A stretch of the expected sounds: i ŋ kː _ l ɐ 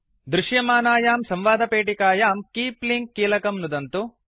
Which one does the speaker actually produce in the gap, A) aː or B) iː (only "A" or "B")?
B